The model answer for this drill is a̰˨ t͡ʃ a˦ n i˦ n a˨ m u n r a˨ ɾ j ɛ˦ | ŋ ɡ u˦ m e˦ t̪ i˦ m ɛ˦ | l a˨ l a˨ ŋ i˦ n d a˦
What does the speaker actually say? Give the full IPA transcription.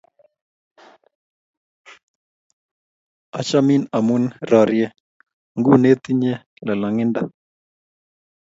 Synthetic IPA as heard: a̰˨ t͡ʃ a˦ m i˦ n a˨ m u n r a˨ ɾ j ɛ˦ | ŋ ɡ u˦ n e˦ t̪ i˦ ɲ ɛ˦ | l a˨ l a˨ ŋ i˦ n d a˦